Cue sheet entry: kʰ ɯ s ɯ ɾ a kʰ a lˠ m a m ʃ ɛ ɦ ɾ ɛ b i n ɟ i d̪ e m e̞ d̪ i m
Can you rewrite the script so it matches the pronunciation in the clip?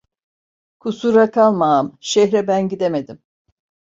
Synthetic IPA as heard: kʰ u s u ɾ a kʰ a lˠ m a m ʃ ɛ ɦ ɾ ɛ b æ n ɟ i d̪ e m e̞ d̪ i m